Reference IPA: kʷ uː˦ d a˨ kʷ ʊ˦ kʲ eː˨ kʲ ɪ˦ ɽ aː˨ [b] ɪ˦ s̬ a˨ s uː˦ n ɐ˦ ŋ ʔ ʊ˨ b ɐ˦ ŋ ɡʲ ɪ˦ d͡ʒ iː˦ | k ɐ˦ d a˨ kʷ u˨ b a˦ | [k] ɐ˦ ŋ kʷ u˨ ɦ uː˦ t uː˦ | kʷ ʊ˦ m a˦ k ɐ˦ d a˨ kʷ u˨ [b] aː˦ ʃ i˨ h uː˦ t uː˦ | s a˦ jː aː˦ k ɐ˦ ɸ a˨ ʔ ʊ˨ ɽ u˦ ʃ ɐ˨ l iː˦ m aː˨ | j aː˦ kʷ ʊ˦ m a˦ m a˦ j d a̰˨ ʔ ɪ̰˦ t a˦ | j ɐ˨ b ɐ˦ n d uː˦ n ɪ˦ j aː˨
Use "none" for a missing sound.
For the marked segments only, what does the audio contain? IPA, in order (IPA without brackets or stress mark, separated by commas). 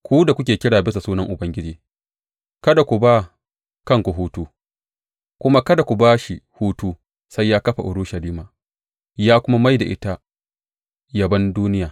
b, k, b